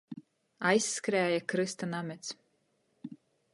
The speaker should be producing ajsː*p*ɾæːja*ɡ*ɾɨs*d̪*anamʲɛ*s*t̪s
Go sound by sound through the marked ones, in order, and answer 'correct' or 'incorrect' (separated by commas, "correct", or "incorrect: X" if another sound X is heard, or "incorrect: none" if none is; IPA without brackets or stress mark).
incorrect: k, incorrect: k, incorrect: t̪, incorrect: none